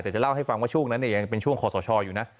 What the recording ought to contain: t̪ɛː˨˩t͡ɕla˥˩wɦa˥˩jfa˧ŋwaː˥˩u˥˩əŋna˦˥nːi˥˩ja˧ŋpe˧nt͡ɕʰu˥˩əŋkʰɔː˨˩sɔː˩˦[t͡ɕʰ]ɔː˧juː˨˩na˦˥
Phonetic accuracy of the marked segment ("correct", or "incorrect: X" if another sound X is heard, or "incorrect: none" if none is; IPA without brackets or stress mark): correct